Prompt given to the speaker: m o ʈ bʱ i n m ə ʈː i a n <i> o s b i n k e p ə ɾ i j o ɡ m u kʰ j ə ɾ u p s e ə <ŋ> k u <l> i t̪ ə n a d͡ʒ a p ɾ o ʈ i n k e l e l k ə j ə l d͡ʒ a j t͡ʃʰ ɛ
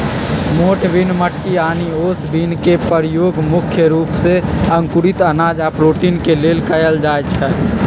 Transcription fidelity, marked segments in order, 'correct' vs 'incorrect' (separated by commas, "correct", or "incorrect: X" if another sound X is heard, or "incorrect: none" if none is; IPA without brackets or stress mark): correct, correct, incorrect: ɾ